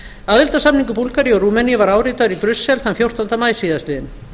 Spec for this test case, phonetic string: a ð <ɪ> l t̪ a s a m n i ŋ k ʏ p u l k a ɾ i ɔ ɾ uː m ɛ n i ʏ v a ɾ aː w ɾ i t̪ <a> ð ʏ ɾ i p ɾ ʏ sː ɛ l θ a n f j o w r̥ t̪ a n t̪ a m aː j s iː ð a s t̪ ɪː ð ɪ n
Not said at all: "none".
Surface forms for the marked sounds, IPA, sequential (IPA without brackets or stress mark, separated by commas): ɪ, a